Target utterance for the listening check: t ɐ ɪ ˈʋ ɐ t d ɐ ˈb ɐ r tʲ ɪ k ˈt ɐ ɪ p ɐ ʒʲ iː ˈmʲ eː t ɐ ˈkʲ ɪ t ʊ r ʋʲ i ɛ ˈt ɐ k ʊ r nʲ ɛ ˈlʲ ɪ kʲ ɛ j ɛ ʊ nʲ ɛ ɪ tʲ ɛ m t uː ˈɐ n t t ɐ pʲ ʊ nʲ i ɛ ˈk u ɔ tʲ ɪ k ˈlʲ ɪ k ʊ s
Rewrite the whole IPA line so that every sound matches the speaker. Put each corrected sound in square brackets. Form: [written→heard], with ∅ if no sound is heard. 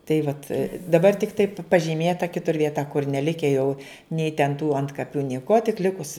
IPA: t ɐ ɪ ˈʋ ɐ t d ɐ ˈb ɐ r tʲ ɪ k ˈt ɐ ɪ p ɐ ʒʲ iː ˈmʲ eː t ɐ ˈkʲ ɪ t ʊ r ʋʲ i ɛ ˈt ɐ k ʊ r nʲ ɛ ˈlʲ ɪ kʲ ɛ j ɛ ʊ nʲ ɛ ɪ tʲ ɛ [m→n] t uː ˈɐ n t [t→k] ɐ pʲ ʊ nʲ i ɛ ˈk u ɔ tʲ ɪ k ˈlʲ ɪ k ʊ s